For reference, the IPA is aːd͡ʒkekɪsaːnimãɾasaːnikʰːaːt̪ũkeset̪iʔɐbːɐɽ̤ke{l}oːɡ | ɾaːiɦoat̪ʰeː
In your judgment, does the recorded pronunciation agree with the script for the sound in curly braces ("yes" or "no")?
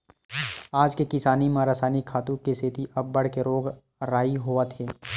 no